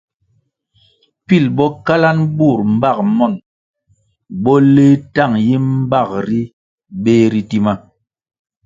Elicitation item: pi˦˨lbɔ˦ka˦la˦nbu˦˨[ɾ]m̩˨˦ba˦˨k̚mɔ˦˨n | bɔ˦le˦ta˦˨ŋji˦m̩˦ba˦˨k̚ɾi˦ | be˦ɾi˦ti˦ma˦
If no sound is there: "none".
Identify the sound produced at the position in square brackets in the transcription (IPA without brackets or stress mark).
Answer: ɾ